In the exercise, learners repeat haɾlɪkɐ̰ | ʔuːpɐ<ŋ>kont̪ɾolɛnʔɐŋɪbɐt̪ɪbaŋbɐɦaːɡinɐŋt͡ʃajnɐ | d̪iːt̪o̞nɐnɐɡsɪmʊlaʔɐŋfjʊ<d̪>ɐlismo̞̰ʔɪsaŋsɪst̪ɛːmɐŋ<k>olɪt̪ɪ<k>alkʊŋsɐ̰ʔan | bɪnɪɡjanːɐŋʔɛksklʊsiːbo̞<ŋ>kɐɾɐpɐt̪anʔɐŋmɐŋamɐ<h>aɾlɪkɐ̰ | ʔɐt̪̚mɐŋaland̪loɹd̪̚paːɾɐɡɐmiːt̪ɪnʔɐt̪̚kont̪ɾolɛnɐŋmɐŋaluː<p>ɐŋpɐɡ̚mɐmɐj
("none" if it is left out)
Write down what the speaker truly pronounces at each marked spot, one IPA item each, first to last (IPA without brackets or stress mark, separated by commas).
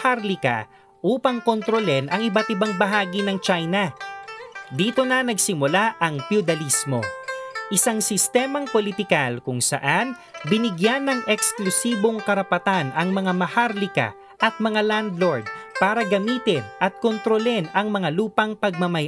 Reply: ŋ, d̪, p, k, ŋ, h, p